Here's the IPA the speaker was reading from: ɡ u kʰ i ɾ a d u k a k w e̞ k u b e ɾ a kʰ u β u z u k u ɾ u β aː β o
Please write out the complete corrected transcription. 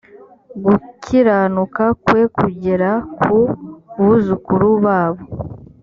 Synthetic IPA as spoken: ɡ u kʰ i ɾ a n u k a k w e̞ k u ɟ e ɾ a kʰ u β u z u k u ɾ u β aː β o